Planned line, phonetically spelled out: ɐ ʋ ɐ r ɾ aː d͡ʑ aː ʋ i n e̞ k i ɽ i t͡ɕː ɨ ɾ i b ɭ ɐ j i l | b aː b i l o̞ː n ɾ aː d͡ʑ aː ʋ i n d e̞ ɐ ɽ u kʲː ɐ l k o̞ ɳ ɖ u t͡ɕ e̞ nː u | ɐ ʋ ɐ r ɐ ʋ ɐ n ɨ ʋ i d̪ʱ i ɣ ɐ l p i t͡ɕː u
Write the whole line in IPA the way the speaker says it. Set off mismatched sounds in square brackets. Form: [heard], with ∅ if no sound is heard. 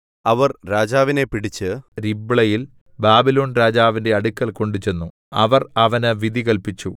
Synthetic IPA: ɐ ʋ ɐ r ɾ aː d͡ʑ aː ʋ i n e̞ [p] i ɽ i t͡ɕː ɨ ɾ i b ɭ ɐ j i l | b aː b i l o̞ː n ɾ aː d͡ʑ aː ʋ i n d e̞ ɐ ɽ u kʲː ɐ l k o̞ ɳ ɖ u t͡ɕ e̞ nː u | ɐ ʋ ɐ r ɐ ʋ ɐ n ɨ ʋ i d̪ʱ i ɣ ɐ l p i t͡ɕː u